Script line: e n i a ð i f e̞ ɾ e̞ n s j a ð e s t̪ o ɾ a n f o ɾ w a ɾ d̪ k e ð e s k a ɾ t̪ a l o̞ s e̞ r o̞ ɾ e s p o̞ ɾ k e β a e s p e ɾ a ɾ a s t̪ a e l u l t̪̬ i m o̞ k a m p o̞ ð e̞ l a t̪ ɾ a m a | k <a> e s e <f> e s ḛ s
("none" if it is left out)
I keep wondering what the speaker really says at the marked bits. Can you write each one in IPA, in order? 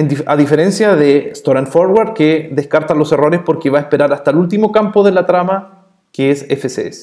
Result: e, f

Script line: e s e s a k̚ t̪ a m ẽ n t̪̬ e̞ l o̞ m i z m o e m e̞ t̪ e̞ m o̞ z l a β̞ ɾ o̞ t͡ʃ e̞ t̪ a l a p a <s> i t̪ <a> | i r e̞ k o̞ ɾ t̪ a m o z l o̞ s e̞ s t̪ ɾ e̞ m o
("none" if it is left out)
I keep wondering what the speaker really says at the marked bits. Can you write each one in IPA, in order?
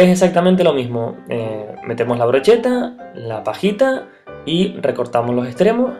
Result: x, a

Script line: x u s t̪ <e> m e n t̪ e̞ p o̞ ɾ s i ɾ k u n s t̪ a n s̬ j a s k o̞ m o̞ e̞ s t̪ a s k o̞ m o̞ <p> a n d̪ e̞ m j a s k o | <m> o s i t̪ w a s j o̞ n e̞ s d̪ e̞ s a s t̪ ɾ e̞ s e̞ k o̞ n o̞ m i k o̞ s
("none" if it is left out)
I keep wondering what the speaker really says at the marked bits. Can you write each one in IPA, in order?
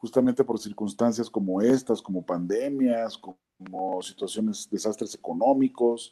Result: a, p, m

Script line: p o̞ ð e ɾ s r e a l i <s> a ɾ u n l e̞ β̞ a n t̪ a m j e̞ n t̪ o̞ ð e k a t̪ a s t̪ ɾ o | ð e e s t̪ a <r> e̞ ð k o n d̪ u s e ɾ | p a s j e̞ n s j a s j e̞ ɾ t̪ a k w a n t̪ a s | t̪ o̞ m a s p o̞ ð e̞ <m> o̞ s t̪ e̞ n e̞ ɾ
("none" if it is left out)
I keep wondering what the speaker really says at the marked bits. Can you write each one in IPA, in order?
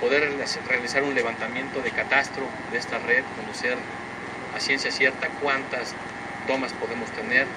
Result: s, r, m

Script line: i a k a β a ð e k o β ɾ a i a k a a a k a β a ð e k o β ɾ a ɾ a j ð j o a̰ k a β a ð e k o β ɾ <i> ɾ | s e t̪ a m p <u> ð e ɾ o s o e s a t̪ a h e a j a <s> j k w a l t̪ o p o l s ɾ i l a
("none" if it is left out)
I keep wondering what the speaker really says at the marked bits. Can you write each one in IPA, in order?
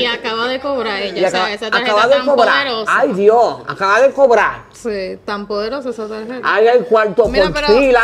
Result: a, o, none

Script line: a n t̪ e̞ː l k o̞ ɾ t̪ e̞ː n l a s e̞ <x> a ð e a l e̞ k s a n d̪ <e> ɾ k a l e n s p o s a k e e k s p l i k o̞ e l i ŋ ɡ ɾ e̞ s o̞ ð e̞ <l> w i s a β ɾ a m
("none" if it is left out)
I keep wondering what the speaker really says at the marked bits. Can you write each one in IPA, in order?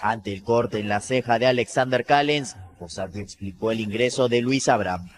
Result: x, e, l

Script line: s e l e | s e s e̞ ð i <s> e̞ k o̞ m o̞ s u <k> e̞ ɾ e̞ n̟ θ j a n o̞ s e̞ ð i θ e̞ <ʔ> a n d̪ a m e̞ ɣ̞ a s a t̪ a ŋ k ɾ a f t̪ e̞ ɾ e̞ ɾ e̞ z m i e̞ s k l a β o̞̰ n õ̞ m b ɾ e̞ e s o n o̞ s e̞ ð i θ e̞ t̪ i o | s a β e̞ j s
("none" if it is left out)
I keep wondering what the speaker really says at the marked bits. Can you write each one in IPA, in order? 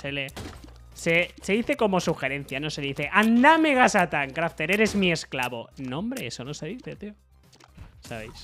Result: θ, x, ʔ

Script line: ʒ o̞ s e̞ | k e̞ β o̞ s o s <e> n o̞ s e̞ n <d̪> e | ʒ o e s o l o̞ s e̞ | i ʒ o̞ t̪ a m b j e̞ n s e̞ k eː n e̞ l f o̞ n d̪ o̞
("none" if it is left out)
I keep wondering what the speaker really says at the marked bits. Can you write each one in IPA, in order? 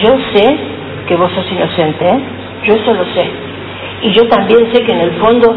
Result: i, t̪

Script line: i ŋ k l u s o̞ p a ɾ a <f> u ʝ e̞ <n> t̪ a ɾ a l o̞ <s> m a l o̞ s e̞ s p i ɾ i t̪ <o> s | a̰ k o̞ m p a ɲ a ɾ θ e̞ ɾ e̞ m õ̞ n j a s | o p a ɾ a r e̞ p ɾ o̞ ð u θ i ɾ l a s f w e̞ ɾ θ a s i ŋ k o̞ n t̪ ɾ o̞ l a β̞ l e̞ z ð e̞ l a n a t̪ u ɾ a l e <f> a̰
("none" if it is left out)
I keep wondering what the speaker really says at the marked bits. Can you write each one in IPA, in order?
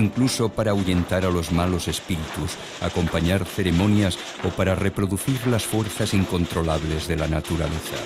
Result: none, n, z, u, θ

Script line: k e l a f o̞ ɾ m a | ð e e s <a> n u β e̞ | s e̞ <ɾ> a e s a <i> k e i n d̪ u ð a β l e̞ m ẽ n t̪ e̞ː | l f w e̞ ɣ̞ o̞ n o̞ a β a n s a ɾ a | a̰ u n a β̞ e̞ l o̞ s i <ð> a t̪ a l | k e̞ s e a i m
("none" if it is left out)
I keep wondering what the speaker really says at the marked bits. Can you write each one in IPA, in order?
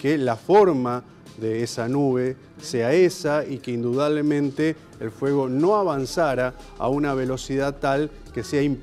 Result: a, none, i, ð

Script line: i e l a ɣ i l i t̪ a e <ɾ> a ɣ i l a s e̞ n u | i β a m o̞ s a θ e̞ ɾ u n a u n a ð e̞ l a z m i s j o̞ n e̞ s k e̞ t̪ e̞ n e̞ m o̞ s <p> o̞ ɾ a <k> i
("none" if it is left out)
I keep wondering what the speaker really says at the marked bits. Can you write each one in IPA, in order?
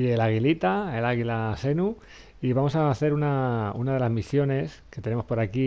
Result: l, p, k

